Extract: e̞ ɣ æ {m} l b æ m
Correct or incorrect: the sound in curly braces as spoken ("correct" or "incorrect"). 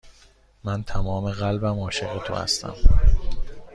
incorrect